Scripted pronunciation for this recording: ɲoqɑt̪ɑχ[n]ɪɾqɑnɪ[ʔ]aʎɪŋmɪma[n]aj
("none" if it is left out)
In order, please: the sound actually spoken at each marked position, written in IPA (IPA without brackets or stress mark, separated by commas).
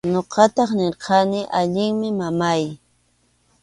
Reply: n, ʔ, m